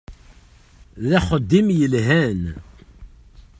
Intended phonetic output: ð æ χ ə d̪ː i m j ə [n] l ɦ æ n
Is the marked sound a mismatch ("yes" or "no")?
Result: yes